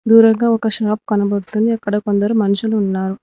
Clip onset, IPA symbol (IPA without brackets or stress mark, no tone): d̪